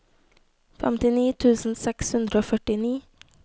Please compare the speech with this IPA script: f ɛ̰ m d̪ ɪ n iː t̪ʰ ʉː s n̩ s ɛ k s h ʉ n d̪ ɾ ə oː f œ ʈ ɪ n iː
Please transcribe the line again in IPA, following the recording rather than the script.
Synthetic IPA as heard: f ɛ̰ m t̪ ɪ n iː t̪ʰ ʉː s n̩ s ɛ k s h ʉ n d̪ ɾ ə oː f œ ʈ ɪ n iː